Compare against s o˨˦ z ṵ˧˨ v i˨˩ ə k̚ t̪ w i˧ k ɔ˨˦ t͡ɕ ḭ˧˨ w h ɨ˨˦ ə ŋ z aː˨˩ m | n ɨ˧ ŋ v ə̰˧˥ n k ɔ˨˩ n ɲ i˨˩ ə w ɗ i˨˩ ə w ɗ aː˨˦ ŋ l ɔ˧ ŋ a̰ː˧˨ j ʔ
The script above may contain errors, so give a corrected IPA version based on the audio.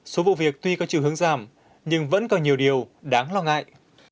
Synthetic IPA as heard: s o˨˦ v ṵ˧˨ v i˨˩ ə k̚ t̪ w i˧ k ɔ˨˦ t͡ɕ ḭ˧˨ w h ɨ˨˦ ə ŋ z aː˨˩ m | ɲ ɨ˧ ŋ v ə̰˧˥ n k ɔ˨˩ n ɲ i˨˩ ə w ɗ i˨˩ ə w ɗ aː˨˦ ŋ l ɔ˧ ŋ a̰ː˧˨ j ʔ